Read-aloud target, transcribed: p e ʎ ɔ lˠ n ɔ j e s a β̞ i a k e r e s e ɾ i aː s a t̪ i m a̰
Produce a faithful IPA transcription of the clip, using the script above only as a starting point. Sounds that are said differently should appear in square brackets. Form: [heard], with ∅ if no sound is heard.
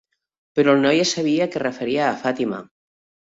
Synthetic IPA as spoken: p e [ɾ] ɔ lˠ n ɔ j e s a β̞ i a k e r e [f] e ɾ i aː [f] a t̪ i m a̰